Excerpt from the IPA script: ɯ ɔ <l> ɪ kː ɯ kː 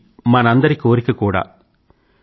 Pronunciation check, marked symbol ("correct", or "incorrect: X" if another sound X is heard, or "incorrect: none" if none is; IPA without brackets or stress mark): incorrect: ɾ